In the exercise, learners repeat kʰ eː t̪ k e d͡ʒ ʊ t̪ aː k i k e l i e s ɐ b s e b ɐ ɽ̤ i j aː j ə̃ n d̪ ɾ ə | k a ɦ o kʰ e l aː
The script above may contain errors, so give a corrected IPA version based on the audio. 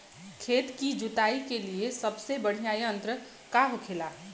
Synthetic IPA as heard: kʰ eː t̪ k i d͡ʒ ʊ t̪ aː i k e l i e s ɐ b s e b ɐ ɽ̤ i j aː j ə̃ n t̪ ɾ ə | k a ɦ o kʰ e l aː